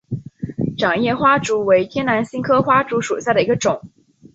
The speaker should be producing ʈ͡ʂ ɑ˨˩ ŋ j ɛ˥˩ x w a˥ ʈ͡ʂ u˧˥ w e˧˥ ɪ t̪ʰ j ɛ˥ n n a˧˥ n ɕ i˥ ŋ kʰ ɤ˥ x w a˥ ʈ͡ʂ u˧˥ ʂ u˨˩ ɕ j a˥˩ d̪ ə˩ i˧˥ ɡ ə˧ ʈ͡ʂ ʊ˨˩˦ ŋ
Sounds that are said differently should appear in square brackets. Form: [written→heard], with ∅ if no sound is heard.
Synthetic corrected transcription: ʈ͡ʂ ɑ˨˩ ŋ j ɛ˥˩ x w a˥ ʈ͡ʂ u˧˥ w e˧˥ ɪ t̪ʰ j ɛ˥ n n a˧˥ n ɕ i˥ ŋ kʰ ɤ˥ x w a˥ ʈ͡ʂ u˧˥ ʂ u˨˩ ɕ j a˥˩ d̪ ə˩ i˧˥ ɡ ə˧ ʈ͡ʂ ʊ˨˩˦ ŋ